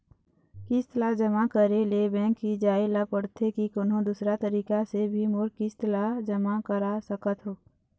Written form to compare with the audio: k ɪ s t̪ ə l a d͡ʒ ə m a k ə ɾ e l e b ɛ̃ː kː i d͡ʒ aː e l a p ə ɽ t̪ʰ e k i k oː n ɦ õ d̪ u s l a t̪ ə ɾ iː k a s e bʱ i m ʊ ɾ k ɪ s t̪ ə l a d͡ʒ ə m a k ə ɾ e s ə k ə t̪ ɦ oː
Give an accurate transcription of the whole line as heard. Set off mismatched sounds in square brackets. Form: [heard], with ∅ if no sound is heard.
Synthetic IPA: k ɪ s t̪ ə l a d͡ʒ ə m a k ə ɾ e l e b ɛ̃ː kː i d͡ʒ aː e l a p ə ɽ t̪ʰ e k i k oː n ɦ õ d̪ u s [ɾ] a t̪ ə ɾ iː k a s e bʱ i m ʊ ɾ k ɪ s t̪ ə l a d͡ʒ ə m a k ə ɾ [a] s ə k ə t̪ ɦ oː